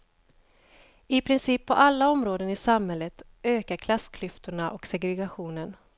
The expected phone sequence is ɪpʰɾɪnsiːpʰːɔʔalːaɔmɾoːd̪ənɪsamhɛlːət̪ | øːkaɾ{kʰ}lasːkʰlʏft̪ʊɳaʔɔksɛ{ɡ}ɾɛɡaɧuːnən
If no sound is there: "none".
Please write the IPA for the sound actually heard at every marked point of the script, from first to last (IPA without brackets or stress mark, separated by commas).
kʰ, ɡ